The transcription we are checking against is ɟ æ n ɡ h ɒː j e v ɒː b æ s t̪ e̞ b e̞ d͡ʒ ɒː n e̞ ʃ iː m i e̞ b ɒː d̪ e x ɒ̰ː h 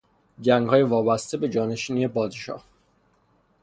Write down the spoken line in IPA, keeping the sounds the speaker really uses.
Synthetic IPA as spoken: ɟ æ ŋ ɡ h ɒː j e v ɒː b æ s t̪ e̞ b e̞ d͡ʒ ɒː n e̞ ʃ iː n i e̞ b ɒː d̪ e ʃ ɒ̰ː h